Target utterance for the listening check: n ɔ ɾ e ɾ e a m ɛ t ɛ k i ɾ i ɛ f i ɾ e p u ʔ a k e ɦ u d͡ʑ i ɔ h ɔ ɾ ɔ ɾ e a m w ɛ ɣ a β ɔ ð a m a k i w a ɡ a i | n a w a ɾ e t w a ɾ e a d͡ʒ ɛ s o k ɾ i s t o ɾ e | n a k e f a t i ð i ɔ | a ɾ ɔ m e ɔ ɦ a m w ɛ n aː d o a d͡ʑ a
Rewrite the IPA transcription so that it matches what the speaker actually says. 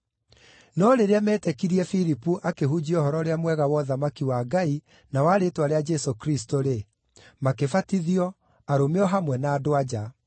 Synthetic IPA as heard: n ɔ ɾ e ɾ e a m ɛ t ɛ k i ɾ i ɛ f i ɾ i p u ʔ a k e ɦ u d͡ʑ i ɔ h ɔ ɾ ɔ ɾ e a m w ɛ ɣ a w ɔ ð a m a k i w a ɡ a i | n a w a ɾ e t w a ɾ e a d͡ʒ ɛ s o k ɾ i s t o ɾ e | m a k e f a t i ð i ɔ | a ɾ o m e ɔ ɦ a m w ɛ n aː d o a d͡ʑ a